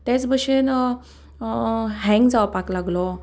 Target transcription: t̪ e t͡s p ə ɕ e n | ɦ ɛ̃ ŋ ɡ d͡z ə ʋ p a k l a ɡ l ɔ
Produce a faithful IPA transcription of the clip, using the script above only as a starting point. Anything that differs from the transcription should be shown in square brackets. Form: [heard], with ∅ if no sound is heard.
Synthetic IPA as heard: t̪ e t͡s [b] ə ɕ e n | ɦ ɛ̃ ŋ ɡ d͡z [a] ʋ p a k l a ɡ l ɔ